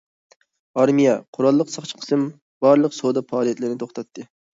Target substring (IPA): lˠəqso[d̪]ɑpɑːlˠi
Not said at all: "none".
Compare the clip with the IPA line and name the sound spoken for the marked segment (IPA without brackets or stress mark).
d̪